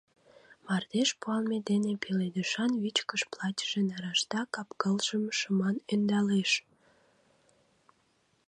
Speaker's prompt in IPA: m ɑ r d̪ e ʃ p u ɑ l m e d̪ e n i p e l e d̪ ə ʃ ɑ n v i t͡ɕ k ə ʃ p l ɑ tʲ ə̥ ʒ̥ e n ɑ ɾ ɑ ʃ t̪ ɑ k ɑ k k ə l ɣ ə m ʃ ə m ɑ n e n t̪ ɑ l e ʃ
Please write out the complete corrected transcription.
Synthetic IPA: m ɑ r d̪ e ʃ p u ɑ l m e d̪ e n e p e l e d̪ ə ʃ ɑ n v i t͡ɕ k ə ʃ p l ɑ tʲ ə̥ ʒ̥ e n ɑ ɾ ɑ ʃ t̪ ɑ k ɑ p k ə l ʒ ə m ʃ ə m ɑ n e n d̪ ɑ l e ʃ